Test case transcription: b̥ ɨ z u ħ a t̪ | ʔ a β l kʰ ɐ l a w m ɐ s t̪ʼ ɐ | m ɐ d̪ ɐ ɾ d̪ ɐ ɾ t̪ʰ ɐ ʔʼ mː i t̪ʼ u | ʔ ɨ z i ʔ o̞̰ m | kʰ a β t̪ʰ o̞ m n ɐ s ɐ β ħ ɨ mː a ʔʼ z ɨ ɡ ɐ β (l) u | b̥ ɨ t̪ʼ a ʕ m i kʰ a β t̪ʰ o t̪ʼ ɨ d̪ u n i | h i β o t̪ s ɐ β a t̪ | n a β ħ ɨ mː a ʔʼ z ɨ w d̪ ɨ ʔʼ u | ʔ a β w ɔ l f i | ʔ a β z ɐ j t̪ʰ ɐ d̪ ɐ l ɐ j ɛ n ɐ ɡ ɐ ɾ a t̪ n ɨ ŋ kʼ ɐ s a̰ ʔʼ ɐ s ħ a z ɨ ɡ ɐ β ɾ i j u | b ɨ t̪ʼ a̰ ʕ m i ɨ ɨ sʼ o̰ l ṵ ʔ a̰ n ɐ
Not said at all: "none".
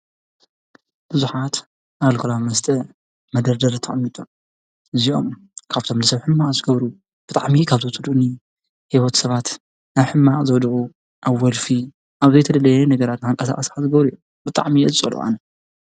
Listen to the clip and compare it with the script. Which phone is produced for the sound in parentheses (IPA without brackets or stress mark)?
ɾ